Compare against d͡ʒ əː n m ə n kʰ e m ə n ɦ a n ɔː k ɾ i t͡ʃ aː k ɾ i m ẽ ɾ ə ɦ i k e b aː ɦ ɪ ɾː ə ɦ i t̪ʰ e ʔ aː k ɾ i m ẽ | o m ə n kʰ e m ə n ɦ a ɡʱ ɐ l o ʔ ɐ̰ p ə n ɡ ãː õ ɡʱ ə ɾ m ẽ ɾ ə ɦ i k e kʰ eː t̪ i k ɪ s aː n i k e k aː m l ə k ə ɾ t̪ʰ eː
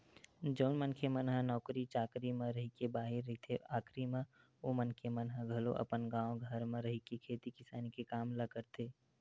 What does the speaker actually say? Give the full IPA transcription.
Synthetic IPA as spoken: d͡ʒ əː n m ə n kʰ e m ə n ɦ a n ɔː k ɾ i t͡ʃ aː k ɾ i m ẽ ɾ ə ɦ i k e b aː ɦ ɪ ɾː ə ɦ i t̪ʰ e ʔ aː k ɾ i m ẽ | o m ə n kʰ e m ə n ɦ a ɡʱ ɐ l o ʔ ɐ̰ p ə n ɡ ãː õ ɡʱ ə ɾ m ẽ ɾ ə ɦ i k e kʰ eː t̪ i k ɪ s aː n i k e k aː m l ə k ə ɾ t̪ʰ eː